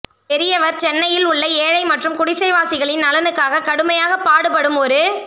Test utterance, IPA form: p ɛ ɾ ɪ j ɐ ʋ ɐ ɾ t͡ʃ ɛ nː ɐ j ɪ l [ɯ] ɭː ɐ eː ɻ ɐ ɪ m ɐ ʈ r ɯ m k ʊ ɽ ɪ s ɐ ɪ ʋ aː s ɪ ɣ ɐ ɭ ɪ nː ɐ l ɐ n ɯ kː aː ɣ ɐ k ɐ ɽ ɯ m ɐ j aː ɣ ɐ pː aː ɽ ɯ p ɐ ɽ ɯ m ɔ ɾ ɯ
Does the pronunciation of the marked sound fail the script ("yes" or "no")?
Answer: yes